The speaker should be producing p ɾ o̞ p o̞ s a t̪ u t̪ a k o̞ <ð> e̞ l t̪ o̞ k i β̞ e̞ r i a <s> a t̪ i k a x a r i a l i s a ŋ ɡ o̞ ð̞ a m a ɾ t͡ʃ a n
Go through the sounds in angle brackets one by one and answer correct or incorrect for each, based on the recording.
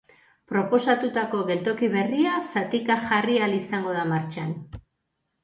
incorrect: ɣ, correct

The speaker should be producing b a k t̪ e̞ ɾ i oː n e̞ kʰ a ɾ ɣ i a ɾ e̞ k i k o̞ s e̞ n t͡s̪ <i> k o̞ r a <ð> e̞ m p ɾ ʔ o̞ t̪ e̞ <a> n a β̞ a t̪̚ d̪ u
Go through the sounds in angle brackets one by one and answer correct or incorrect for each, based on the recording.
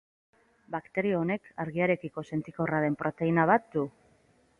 correct, correct, incorrect: i

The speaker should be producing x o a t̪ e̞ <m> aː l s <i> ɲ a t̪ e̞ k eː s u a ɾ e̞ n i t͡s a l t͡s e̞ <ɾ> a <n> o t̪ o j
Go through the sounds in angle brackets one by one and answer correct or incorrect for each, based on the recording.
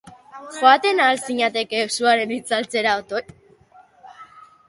incorrect: n, correct, correct, incorrect: none

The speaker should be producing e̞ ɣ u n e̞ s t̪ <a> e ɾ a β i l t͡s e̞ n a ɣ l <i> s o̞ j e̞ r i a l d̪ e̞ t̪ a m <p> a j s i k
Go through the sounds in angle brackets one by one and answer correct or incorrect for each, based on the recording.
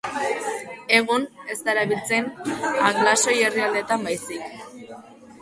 correct, incorrect: a, incorrect: b

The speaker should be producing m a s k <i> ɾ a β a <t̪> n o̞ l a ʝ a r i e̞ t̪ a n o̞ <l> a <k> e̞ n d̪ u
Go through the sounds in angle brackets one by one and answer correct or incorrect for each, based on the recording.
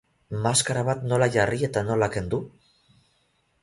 incorrect: a, correct, correct, correct

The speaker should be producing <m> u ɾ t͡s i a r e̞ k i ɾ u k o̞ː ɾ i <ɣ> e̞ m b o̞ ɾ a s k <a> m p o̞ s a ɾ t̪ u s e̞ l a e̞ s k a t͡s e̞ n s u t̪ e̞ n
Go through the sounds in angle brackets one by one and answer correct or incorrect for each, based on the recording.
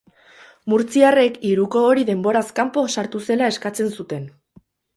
correct, incorrect: ð, correct

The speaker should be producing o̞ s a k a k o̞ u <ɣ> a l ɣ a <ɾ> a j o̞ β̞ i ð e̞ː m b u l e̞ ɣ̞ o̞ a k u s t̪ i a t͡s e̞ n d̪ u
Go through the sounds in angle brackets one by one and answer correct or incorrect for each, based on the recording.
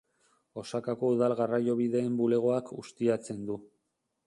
incorrect: ð, incorrect: r

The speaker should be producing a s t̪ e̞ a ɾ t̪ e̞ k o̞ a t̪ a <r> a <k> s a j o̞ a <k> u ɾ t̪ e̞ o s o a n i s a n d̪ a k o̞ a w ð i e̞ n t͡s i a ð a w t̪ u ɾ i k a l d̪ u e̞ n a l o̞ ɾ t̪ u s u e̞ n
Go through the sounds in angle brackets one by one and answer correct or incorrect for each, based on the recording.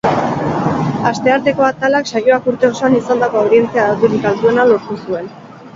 incorrect: l, correct, correct

